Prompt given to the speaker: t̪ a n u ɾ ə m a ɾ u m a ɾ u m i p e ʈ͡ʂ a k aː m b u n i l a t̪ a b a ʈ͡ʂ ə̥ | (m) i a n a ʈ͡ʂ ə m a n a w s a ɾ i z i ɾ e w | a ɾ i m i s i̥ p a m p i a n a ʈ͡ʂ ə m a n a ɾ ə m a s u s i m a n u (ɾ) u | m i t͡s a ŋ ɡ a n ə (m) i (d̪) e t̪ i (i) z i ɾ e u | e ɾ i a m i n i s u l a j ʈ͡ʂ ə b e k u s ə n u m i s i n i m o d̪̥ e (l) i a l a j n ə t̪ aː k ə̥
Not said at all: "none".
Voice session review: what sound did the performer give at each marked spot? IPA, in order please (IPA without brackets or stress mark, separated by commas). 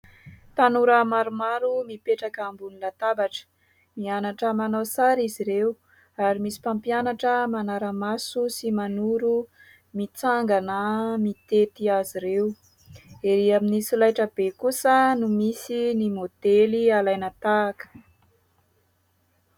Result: m, ɾ, m, t̪, a, l